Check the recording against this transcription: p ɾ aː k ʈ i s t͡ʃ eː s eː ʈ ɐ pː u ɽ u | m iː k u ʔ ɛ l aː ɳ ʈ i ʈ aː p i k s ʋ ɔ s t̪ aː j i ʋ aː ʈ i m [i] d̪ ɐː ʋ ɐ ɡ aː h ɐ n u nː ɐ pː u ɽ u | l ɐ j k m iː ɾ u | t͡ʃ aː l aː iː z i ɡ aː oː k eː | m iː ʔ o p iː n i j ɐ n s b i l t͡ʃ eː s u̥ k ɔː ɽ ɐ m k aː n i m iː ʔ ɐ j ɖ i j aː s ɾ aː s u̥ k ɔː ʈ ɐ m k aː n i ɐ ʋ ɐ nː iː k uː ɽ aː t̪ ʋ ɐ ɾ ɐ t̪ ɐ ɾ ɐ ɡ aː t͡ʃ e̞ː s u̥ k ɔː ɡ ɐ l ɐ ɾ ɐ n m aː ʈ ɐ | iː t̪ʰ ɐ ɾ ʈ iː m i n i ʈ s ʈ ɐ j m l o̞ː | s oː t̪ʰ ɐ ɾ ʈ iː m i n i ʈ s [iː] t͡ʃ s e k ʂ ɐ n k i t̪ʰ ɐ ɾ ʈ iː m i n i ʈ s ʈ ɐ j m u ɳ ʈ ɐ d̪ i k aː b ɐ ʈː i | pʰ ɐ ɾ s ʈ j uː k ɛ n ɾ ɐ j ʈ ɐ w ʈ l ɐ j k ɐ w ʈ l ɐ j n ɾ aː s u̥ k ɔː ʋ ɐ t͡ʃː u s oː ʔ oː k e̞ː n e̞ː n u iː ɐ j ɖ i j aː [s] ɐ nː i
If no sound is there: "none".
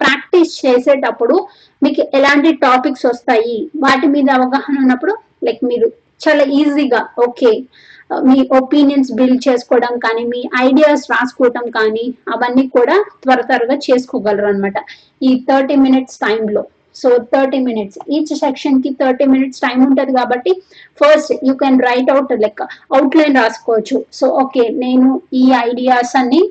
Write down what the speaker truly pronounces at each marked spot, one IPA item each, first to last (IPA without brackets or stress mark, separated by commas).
iː, iː, s